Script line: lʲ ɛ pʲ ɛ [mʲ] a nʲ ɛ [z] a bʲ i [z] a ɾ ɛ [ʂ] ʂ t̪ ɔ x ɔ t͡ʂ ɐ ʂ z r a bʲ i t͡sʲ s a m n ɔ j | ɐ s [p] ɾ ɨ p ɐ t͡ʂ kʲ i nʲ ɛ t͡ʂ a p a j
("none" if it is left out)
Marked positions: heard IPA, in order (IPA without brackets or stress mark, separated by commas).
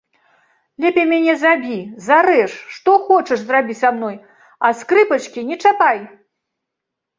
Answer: mʲ, z, z, ʂ, k